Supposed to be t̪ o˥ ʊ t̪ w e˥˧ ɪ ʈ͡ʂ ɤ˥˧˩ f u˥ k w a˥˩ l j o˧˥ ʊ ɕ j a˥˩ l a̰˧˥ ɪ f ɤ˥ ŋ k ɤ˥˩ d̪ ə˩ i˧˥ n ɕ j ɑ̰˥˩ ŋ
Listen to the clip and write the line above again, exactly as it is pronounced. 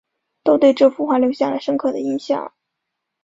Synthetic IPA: t̪ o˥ ʊ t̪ w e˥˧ ɪ ʈ͡ʂ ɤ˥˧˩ f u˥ x w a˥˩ l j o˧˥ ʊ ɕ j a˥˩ l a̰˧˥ ɪ ʂ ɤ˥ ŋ kʰ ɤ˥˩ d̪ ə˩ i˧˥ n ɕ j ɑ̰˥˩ ŋ